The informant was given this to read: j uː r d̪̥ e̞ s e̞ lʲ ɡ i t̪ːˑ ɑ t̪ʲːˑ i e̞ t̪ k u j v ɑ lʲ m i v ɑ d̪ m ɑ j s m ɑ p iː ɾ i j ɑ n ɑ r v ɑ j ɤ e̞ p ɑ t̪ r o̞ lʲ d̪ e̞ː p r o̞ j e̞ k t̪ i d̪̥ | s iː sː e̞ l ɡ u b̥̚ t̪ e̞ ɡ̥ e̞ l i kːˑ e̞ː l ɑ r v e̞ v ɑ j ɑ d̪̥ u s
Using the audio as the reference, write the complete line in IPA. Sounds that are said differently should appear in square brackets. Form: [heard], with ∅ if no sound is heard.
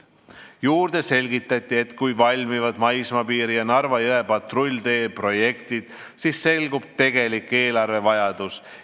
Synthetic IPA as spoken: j uː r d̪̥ e̞ s e̞ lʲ ɡ i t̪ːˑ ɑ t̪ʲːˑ i e̞ t̪ k u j v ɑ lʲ m i v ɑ d̪ m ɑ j s m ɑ p iː ɾ i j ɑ n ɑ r v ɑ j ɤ e̞ p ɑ t̪ r o̞ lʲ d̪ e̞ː p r o̞ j e̞ k t̪ i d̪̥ | s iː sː e̞ l ɡ u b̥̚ t̪ e̞ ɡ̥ e̞ l i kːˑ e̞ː l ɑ r v e̞ v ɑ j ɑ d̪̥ u s

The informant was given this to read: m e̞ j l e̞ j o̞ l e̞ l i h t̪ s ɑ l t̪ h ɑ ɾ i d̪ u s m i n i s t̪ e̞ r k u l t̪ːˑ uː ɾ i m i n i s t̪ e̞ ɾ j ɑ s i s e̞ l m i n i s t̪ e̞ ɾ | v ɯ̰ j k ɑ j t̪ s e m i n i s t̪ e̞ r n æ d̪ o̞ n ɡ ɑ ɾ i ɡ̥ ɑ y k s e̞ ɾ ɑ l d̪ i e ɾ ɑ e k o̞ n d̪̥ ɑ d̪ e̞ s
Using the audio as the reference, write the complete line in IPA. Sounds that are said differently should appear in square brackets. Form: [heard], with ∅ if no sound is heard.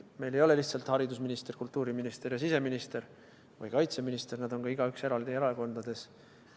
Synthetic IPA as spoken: m e̞ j l e̞ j o̞ l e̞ l i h t̪ s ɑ l t̪ h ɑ ɾ i d̪ u s m i n i s t̪ e̞ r k u l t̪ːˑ uː ɾ i m i n i s t̪ e̞ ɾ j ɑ s i s e̞ [∅] m i n i s t̪ e̞ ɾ | v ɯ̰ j k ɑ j t̪ s e m i n i s t̪ e̞ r n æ d̪ o̞ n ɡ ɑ [∅] i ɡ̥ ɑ y k s e̞ ɾ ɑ l d̪ i e ɾ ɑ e k o̞ n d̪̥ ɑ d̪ e̞ s

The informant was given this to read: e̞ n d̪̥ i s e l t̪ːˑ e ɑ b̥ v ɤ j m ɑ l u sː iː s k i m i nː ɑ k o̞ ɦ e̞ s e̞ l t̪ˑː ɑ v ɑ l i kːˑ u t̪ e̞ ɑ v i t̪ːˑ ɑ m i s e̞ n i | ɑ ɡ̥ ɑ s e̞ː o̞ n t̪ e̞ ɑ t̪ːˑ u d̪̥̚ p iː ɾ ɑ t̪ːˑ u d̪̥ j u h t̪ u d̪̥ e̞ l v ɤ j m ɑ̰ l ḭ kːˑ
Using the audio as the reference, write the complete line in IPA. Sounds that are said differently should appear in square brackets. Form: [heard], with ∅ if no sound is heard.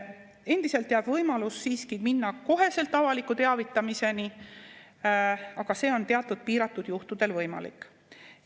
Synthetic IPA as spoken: e̞ n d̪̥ i s e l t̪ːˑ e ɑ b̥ v ɤ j m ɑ l u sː iː s k i m i nː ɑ k o̞ ɦ e̞ s e̞ l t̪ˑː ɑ v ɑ l i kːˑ u t̪ e̞ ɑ v i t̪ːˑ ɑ m i s e̞ n i | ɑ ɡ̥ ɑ s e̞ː o̞ n t̪ e̞ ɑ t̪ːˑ u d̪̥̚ p iː ɾ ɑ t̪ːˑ u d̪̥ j u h t̪ u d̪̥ e̞ l v ɤ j m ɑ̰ l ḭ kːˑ

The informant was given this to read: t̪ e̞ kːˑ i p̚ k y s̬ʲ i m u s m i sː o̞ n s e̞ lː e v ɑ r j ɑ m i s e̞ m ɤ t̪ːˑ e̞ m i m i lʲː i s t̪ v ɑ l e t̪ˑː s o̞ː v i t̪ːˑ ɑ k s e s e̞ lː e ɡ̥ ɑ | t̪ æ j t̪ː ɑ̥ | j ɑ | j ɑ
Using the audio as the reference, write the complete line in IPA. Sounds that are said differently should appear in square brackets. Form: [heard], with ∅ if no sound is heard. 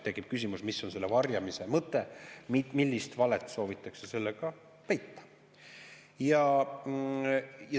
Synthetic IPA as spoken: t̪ e̞ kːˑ i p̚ k y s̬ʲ i m u s m i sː o̞ n s e̞ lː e v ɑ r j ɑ m i s e̞ m ɤ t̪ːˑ e̞ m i m i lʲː i s t̪ v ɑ l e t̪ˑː s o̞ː v i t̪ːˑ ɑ k s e s e̞ lː e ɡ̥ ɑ | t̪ æ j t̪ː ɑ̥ | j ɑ | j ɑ

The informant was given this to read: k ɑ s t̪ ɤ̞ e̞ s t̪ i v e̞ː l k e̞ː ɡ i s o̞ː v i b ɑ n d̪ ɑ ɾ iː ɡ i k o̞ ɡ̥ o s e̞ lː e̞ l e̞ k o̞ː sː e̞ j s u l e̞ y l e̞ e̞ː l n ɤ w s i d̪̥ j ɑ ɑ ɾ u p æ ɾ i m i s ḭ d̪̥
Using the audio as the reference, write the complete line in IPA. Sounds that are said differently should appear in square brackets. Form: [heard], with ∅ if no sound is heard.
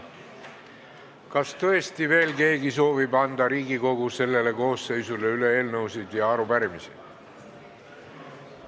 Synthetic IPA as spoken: k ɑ s t̪ ɤ̞ e̞ s t̪ i v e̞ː l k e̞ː ɡ i s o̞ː v i b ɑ n d̪ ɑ ɾ iː ɡ i k o̞ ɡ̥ [u] s e̞ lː e̞ l e̞ k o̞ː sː e̞ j s u l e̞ y l e̞ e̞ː l n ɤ w s i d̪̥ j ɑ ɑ ɾ u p æ ɾ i m i s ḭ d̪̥

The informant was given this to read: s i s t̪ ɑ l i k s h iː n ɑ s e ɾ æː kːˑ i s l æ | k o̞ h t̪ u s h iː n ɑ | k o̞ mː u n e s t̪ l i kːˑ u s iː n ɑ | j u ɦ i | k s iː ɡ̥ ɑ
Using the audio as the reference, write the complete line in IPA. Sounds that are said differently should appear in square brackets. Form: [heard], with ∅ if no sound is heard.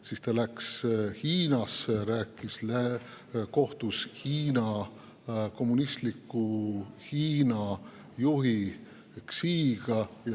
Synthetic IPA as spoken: s i s t̪ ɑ l [æ] k s h iː n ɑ s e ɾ æː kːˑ i s l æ | k o̞ h t̪ u s h iː n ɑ | k o̞ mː u n [i] s t̪ l i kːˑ u [h] iː n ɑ | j u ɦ i | k s iː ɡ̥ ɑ

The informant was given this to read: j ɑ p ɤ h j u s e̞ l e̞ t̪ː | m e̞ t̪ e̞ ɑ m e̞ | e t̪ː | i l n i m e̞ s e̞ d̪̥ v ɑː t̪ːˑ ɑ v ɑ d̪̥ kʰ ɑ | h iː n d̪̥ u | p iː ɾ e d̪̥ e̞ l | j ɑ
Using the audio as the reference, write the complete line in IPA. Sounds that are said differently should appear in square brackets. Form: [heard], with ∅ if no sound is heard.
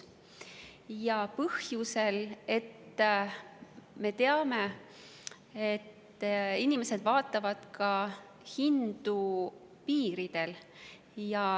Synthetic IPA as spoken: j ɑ p ɤ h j u s e̞ l e̞ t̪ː | m e̞ t̪ e̞ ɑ m e̞ | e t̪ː | i [∅] n i m e̞ s e̞ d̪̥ v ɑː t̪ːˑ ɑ v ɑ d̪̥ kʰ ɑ | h [i] n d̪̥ u | p iː ɾ [i] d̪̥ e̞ l | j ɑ

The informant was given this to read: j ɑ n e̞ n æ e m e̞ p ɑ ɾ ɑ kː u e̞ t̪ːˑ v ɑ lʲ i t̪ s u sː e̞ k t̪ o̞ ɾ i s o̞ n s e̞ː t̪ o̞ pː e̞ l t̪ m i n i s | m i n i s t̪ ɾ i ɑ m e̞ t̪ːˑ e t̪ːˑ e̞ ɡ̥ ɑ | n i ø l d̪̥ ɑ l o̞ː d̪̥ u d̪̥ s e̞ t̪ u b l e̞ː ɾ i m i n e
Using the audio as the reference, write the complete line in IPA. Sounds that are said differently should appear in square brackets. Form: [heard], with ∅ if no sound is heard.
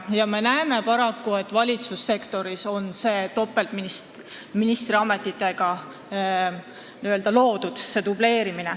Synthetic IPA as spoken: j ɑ [m] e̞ n æ e m e̞ p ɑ ɾ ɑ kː u e̞ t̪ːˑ v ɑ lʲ i t̪ s u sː e̞ k t̪ o̞ ɾ i s o̞ n s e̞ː t̪ o̞ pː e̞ l t̪ m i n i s | m i n i s t̪ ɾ i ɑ m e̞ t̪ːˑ [i] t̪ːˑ e̞ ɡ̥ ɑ | n i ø l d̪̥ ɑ l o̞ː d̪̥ u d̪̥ s e̞ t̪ u b l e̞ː ɾ i m i n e

